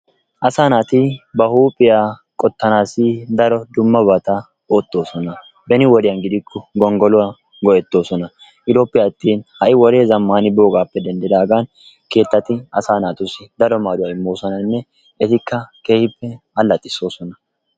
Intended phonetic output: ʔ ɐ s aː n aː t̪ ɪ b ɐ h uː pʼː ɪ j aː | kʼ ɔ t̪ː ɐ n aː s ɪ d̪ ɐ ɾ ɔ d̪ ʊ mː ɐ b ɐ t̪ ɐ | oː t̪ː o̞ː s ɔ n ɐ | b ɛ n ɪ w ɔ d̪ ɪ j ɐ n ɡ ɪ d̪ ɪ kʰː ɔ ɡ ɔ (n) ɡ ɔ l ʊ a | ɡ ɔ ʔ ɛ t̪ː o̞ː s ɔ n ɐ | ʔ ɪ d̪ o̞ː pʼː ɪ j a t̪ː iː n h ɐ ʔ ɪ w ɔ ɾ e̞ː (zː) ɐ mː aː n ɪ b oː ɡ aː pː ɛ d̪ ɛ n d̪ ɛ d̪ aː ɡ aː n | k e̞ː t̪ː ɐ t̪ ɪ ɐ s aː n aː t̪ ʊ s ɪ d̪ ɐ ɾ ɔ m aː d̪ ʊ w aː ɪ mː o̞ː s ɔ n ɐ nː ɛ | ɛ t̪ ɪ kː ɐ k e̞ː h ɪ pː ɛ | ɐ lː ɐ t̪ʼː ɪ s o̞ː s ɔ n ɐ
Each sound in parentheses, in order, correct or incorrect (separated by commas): incorrect, incorrect